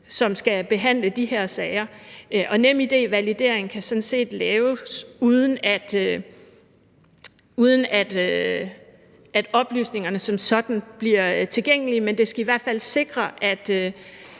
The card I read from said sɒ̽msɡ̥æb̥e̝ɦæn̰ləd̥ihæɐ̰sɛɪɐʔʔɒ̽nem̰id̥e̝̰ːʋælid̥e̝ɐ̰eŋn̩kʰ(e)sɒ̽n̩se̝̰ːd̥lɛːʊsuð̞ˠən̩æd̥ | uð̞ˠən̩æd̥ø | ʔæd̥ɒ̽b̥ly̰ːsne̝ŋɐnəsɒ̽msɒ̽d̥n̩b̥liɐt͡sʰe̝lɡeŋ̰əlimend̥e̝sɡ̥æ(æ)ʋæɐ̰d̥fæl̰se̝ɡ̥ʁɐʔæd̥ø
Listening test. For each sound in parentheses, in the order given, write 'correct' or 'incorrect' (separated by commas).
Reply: incorrect, incorrect